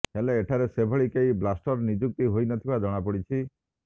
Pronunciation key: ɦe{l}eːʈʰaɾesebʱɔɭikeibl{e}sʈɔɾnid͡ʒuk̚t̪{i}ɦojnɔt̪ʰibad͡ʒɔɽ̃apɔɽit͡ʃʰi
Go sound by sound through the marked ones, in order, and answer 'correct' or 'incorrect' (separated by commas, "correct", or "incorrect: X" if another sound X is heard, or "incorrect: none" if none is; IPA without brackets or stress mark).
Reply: correct, incorrect: a, correct